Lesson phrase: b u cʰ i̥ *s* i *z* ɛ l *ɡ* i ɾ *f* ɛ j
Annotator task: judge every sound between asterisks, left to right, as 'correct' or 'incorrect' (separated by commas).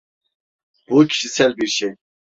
incorrect, incorrect, incorrect, incorrect